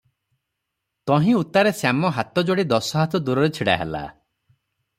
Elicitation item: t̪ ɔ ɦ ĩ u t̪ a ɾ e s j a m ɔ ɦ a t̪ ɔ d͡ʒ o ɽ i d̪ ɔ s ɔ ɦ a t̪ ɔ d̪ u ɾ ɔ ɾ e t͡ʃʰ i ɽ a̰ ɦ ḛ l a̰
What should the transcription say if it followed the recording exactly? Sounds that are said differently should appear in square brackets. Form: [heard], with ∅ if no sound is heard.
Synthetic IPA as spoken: t̪ ɔ ɦ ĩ u t̪ a ɾ e s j a m ɔ ɦ a t̪ ɔ d͡ʒ o ɽ i d̪ ɔ s ɔ ɦ a t̪ ɔ d̪ u ɾ ɔ ɾ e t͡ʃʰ i ɽ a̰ ɦ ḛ l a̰